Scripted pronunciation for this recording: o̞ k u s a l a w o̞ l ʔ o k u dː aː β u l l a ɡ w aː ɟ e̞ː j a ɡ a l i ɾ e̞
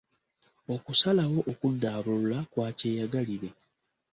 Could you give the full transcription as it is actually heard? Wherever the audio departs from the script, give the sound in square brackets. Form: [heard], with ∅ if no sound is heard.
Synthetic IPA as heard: o̞ k u s a l a w o̞ [∅] ʔ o k u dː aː β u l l a [k] w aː [c] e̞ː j a ɡ a l i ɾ e̞